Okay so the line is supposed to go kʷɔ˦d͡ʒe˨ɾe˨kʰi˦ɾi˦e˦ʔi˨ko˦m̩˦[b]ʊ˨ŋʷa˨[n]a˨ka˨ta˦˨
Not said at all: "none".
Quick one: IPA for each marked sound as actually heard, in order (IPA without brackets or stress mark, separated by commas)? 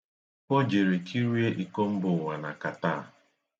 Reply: b, n